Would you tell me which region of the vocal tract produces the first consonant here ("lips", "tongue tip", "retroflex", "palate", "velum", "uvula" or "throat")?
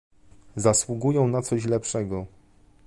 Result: tongue tip